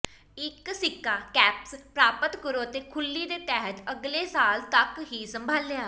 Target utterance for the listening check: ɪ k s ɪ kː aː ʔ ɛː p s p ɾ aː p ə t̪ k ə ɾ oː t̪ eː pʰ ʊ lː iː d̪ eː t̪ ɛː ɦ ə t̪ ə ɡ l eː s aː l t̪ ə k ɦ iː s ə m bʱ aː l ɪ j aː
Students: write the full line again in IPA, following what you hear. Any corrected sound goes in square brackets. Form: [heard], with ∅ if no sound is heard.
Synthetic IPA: ɪ k s ɪ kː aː [k] ɛː p s p ɾ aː p ə t̪ k ə ɾ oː t̪ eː [kʰ] ʊ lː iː d̪ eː t̪ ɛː ɦ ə t̪ ə ɡ l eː s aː l t̪ ə k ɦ iː s ə m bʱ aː l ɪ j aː